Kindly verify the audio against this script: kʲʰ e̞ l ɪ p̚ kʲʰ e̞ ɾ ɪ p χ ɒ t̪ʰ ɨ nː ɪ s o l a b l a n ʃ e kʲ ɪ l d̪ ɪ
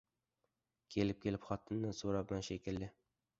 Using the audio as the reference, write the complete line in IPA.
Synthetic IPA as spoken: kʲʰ e̞ l ɪ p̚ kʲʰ e̞ l ɪ p χ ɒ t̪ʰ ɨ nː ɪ s o ɾ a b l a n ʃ e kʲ ɪ l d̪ ɪ